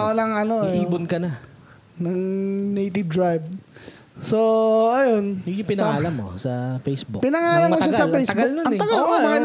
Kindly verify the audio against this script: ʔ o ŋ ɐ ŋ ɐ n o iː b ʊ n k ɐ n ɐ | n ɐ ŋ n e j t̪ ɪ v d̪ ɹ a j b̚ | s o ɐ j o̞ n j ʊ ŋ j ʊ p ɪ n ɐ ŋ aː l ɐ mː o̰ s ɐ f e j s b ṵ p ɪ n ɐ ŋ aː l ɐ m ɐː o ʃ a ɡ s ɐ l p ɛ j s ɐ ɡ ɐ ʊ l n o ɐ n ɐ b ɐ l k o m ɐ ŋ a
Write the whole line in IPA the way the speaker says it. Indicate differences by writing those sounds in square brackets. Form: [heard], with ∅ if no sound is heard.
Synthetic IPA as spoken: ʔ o [n] ɐ ŋ ɐ n o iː b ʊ n k ɐ n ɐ | n ɐ ŋ n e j t̪ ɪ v d̪ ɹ a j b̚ | s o ɐ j o̞ n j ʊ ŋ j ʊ p ɪ n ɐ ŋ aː l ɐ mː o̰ s ɐ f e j s b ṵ p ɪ n ɐ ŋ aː l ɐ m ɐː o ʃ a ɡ s ɐ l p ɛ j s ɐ ɡ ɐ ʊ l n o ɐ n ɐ [ɡ] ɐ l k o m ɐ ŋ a